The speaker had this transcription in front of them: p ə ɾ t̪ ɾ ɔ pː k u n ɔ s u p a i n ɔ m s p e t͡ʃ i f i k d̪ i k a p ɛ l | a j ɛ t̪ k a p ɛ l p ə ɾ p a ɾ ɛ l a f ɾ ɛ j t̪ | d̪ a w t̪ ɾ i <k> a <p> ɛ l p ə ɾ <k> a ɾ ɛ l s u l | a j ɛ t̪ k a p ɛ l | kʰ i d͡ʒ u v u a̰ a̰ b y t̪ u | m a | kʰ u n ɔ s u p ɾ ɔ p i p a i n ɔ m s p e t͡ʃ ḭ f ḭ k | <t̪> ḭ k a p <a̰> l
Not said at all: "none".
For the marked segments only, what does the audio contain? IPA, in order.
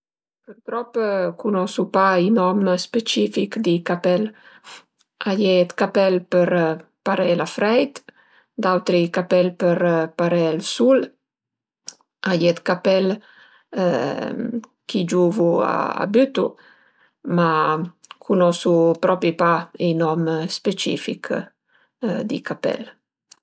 k, p, p, d̪, ɛ̰

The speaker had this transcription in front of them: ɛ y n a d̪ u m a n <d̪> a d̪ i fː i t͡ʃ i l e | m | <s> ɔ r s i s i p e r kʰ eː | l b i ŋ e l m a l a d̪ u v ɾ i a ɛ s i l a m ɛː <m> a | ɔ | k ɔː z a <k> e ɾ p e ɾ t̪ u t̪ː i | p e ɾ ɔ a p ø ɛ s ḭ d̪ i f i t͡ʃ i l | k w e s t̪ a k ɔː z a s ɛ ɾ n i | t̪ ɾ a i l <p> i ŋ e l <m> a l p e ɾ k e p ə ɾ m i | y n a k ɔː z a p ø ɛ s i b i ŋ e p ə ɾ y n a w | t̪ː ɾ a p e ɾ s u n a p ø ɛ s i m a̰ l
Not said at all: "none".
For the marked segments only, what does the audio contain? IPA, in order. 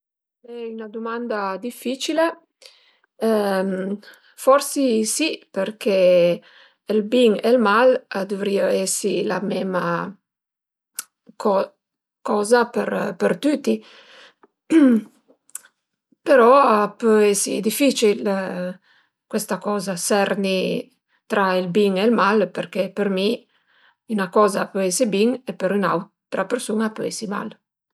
d̪, f, m, p, b, m

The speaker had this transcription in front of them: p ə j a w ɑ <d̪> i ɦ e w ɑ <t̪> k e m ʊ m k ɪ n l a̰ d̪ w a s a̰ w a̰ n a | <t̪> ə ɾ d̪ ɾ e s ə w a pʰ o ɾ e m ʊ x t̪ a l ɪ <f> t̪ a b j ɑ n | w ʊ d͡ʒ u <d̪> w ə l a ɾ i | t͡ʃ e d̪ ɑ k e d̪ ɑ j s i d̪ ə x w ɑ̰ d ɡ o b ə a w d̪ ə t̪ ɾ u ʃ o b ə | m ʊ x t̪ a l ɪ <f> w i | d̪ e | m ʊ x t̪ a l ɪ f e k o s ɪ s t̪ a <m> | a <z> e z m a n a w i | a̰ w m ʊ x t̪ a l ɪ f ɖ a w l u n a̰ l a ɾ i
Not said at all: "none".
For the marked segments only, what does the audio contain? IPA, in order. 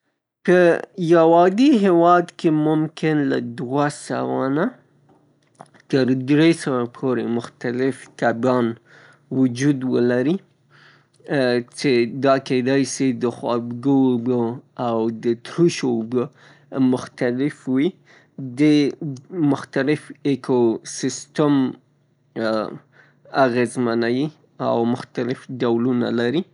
d̪, d̪, t̪, f, d̪, f, m, ɣ

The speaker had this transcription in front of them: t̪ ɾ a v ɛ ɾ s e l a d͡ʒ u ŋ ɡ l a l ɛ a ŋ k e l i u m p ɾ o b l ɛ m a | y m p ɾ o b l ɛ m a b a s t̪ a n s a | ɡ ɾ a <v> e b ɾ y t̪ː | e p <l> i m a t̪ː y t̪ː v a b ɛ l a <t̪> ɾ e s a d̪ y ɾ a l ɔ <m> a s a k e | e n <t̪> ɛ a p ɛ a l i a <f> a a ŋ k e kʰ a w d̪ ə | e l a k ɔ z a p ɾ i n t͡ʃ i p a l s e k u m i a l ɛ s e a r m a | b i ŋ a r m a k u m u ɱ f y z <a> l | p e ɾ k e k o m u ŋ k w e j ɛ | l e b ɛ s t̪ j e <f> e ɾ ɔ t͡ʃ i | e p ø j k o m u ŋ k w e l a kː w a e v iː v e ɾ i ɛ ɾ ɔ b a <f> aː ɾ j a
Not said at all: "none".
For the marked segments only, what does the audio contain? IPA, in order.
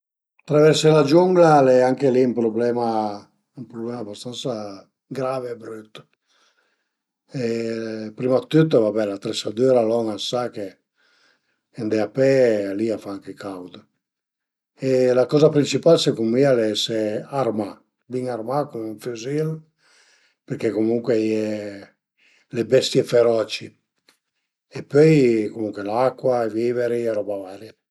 v, ɾ, t̪, ŋ, d̪, f, i, f, v

